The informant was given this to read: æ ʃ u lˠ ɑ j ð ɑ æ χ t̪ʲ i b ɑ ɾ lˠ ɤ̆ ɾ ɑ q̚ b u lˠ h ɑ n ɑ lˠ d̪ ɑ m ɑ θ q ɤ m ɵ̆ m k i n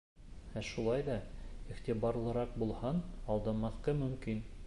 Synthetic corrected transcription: æ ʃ u lˠ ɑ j ð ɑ i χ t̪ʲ i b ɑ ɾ lˠ ɤ̆ ɾ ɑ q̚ b u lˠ h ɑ n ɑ lˠ d̪ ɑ m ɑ θ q ɤ m ɵ̆ m k i n

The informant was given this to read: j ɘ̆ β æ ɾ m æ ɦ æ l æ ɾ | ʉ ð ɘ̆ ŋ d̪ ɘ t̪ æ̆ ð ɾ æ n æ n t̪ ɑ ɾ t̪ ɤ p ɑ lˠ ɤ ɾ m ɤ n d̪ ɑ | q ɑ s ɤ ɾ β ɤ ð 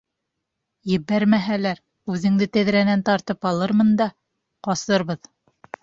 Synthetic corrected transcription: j ɘ̆ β æ ɾ m æ ɦ æ l æ ɾ | ʉ ð ɘ̆ ŋ d̪ ɘ t̪ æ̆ ð ɾ æ n æ n t̪ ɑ ɾ t̪ ɤ p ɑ lˠ ɤ ɾ m ɤ n d̪ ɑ | q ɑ s ɤ ɾ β ɤ ð

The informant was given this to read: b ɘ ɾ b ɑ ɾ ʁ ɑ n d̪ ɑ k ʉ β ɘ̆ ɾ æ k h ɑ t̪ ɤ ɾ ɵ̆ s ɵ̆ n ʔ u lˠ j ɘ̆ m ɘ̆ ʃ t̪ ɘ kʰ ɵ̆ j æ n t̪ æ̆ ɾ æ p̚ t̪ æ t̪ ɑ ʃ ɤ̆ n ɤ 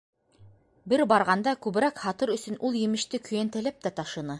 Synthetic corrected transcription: b ɘ ɾ b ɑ ɾ ʁ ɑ n d̪ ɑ k ʉ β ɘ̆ ɾ æ k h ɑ t̪ ɤ ɾ ɵ̆ s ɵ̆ n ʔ u lˠ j ɘ̆ m ɘ̆ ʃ t̪ ɘ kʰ ɵ̆ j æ n t̪ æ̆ l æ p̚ t̪ æ t̪ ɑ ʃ ɤ̆ n ɤ

